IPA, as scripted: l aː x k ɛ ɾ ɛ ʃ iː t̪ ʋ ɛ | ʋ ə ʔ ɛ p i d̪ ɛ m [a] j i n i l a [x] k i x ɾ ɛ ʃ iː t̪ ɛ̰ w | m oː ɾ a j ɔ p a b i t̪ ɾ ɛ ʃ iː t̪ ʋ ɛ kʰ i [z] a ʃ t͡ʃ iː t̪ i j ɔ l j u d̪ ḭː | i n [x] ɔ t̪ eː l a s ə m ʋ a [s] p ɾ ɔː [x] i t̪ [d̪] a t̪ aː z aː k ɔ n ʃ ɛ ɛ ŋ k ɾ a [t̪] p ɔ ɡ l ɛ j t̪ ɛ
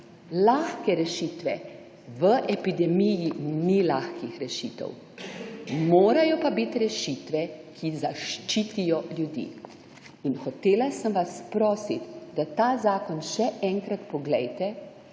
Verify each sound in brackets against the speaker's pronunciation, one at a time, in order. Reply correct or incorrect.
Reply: incorrect: i, correct, correct, correct, correct, incorrect: s, correct, correct

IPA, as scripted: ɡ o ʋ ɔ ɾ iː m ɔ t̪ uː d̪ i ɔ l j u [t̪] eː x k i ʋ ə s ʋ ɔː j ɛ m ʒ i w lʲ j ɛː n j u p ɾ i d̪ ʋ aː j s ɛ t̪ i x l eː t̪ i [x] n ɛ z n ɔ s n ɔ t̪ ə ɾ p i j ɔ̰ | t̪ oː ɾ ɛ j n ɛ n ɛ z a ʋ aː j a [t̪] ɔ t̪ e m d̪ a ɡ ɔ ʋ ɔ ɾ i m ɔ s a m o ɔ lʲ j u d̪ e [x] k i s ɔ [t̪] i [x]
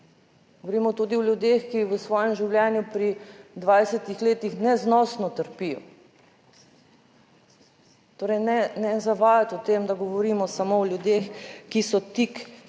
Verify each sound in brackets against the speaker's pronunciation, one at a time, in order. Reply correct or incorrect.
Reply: incorrect: d̪, correct, correct, correct, correct, incorrect: k

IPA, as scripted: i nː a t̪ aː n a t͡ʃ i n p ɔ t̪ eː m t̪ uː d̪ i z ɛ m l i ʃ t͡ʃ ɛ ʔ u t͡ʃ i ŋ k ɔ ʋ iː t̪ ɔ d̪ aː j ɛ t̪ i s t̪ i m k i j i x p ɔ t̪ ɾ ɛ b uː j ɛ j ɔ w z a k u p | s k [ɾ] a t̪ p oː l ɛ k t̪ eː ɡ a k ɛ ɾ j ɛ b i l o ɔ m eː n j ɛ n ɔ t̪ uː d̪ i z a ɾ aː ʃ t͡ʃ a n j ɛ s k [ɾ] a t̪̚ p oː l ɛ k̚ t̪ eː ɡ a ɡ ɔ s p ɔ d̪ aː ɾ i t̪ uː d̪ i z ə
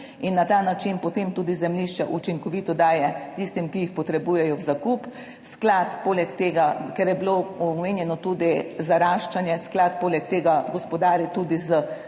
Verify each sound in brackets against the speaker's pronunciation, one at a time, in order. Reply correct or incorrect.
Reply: incorrect: l, incorrect: l

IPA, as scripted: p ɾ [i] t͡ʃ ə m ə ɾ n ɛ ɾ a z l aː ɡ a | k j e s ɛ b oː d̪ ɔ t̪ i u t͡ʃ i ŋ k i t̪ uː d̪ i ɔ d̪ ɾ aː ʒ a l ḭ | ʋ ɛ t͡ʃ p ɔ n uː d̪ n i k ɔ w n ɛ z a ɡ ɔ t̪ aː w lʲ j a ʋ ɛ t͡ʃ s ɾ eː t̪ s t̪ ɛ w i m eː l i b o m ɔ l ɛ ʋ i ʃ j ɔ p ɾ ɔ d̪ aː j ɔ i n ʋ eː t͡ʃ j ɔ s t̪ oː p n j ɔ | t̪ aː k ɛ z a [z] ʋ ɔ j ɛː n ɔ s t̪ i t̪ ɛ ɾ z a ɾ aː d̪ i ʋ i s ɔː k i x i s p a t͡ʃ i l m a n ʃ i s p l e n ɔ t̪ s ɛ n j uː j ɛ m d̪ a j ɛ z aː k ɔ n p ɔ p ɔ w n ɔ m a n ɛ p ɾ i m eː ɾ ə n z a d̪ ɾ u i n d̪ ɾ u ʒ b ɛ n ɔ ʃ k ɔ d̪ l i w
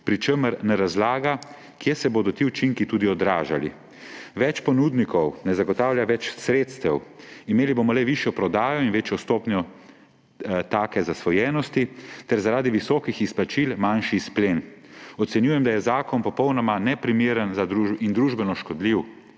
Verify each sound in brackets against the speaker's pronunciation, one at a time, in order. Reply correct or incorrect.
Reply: correct, incorrect: s

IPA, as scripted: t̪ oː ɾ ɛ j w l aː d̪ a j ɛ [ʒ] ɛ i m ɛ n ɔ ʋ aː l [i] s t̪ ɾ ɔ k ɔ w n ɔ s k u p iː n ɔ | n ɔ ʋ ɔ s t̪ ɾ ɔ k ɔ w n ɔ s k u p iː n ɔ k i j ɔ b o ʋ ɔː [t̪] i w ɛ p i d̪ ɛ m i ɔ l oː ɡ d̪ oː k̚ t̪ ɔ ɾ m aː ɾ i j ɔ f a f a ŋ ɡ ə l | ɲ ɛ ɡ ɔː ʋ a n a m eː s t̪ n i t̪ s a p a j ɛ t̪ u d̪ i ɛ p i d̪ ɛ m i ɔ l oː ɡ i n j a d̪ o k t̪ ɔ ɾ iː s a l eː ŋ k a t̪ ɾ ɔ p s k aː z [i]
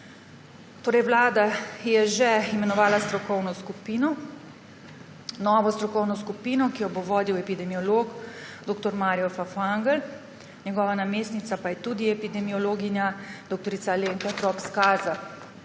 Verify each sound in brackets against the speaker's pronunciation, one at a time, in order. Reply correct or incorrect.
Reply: correct, incorrect: a, incorrect: d̪, incorrect: a

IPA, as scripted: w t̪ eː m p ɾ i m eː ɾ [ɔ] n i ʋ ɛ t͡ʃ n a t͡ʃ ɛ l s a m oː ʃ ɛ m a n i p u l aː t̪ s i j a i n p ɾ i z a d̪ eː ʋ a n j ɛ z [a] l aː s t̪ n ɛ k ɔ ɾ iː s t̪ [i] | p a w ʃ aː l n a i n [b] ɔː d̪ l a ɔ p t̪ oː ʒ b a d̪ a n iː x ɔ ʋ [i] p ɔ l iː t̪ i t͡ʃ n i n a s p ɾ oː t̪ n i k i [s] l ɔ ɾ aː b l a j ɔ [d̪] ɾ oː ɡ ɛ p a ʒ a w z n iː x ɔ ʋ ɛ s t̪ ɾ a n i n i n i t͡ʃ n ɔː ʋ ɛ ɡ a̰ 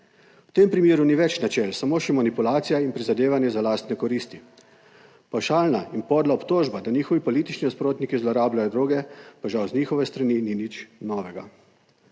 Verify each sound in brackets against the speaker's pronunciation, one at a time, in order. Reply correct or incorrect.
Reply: incorrect: u, correct, correct, incorrect: p, correct, incorrect: z, correct

